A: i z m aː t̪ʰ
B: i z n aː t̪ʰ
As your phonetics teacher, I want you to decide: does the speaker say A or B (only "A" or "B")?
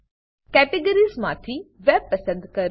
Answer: A